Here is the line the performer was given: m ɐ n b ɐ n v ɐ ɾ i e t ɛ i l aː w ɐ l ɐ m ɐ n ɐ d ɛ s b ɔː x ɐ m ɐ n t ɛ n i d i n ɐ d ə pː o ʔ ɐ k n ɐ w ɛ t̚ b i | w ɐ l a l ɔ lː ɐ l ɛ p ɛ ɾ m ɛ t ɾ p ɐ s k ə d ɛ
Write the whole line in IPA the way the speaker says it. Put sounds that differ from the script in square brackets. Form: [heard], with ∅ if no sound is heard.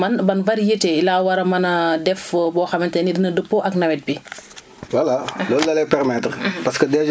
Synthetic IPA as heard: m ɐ n b ɐ n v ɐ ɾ [j] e t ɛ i l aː w ɐ [ɾ] ɐ m ɐ n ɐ d ɛ [f] b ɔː x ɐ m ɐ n t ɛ n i d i n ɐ d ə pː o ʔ ɐ k n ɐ w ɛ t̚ b i | w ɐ l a l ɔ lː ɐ l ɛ p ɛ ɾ m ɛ t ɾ p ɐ s k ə d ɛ